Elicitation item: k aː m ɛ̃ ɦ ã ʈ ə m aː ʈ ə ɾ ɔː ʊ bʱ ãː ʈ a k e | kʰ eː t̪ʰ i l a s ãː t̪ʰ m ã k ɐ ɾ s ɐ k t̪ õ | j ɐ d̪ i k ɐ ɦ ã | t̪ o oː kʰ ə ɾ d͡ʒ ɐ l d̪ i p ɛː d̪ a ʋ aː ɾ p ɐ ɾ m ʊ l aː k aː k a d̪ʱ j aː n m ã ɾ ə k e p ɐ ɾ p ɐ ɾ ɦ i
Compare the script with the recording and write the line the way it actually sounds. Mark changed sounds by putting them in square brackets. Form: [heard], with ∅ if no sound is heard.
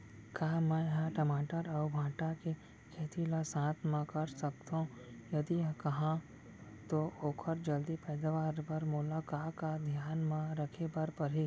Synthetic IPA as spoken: k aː m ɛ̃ ɦ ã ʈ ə m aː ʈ ə ɾ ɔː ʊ bʱ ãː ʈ a k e | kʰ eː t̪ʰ i l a s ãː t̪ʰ m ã k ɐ ɾ s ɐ k t̪ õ | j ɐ d̪ i k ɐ ɦ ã | t̪ o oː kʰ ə ɾ d͡ʒ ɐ l d̪ i p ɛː d̪ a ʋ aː ɾ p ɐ ɾ m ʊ l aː k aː k a d̪ʱ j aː n m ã ɾ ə [kʰ] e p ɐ ɾ p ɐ ɾ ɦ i

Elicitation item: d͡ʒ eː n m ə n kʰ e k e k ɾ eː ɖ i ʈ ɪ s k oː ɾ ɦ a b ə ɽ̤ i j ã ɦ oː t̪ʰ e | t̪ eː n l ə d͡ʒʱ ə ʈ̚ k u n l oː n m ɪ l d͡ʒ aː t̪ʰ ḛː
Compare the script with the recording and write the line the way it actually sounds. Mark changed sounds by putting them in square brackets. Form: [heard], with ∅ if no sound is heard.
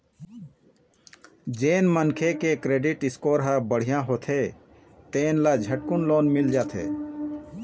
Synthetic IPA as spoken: d͡ʒ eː n m ə n kʰ e k e k ɾ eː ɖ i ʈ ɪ s k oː ɾ ɦ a b ə ɽ̤ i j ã ɦ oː t̪ʰ e | t̪ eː n l [a] d͡ʒʱ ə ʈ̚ k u n l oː n m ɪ l d͡ʒ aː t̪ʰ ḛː

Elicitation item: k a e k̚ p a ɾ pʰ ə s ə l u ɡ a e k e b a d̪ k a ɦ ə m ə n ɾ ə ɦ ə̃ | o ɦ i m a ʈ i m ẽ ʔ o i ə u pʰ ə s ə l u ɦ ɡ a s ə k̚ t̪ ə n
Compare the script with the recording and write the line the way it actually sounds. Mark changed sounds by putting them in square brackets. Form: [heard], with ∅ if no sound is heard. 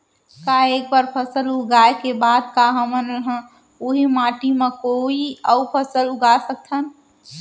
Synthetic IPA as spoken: k a e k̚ [b] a ɾ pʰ ə s ə l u ɡ a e k e b a d̪ k a ɦ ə m ə n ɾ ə ɦ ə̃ | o ɦ i m a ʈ i m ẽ [k] o i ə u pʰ ə s ə l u [∅] ɡ a s ə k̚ [t̪ʰ] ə n

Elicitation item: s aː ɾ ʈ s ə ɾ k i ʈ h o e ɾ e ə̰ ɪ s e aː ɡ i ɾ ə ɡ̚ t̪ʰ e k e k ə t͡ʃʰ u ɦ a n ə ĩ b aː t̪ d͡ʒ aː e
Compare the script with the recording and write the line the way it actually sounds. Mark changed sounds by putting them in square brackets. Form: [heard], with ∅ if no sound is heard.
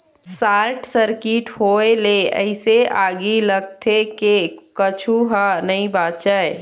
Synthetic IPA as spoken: s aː ɾ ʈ s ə ɾ k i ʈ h o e [l] e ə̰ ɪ s e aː ɡ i [l] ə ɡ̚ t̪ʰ e k e k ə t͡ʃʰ u ɦ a n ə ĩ b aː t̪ d͡ʒ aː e

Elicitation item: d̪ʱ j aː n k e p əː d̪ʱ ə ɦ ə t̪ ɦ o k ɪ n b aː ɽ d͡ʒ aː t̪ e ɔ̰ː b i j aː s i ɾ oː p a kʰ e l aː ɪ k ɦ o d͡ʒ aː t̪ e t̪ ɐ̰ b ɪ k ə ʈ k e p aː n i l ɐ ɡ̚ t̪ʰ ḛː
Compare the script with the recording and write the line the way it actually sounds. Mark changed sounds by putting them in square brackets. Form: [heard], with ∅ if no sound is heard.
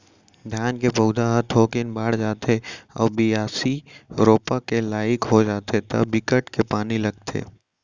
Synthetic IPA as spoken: d̪ʱ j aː n k e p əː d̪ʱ [a] ɦ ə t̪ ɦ o k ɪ n b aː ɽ d͡ʒ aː t̪ e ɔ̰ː b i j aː s i ɾ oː p a [k] e l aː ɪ k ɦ o d͡ʒ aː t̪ e t̪ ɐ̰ b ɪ k ə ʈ k e p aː n i l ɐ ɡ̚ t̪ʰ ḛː

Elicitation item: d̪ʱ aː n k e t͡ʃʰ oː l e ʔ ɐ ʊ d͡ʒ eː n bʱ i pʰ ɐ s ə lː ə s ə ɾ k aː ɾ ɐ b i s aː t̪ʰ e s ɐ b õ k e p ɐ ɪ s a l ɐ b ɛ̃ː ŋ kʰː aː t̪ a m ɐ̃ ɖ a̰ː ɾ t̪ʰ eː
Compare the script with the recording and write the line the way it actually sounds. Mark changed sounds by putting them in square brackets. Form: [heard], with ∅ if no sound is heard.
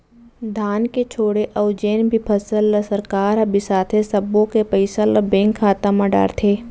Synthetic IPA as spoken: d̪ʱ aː n k e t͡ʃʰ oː [ɽ] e ʔ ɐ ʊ d͡ʒ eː n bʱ i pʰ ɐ s ə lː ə s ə ɾ k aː ɾ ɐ b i s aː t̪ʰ e s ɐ b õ k e p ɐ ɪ s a l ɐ b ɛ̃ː ŋ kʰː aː t̪ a m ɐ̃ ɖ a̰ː ɾ t̪ʰ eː

